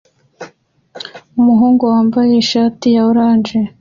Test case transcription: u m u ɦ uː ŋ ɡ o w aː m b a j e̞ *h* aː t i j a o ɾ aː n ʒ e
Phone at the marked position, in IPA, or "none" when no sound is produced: ʃ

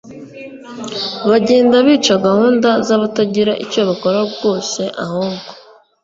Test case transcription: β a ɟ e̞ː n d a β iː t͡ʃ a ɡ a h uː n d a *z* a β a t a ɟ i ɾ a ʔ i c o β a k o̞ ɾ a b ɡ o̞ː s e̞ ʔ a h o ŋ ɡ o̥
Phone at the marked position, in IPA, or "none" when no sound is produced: z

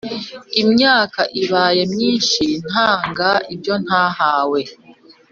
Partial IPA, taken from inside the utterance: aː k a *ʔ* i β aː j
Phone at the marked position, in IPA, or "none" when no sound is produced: ʔ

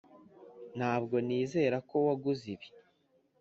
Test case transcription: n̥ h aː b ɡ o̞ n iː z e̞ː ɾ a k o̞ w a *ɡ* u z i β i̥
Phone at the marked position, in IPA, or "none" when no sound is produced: ɡ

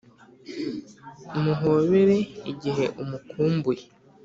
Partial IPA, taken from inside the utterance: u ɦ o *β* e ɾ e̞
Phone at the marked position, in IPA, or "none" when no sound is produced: β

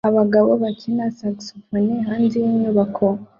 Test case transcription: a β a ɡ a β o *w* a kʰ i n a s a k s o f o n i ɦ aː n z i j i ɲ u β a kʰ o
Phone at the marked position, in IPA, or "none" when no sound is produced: β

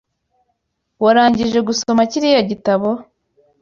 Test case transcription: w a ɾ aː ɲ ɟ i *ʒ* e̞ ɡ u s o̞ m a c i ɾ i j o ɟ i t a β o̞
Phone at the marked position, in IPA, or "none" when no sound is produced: ʒ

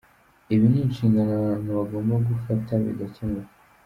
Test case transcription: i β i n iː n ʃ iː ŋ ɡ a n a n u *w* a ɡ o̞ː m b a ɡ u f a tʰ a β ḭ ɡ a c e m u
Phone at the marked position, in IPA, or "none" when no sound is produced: β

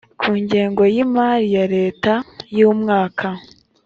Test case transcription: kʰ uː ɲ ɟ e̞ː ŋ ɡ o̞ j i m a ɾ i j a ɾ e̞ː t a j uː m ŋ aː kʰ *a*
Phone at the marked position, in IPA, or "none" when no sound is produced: a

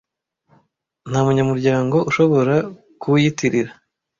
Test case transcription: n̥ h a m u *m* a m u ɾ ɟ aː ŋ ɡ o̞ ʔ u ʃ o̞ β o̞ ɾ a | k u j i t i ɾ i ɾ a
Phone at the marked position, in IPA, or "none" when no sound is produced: ɲ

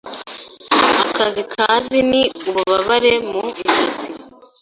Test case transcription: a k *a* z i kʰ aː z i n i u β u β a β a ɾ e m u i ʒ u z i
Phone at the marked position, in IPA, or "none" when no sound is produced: a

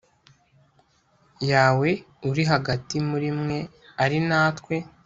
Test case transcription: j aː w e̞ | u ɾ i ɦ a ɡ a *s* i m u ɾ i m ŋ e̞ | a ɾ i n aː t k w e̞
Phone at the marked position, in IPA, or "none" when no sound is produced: t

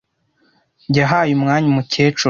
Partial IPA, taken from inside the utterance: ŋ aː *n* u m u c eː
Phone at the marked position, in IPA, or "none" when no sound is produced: ɲ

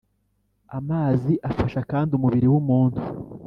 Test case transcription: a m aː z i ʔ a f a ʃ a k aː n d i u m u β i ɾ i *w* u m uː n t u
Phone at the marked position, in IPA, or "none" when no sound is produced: w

